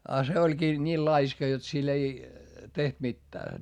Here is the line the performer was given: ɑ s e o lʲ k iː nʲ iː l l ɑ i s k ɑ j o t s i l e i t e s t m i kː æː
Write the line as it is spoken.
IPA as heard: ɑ s e o lʲ k iː nʲ iː l l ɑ i s k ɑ j o t s i l e i t e h t m i tː æː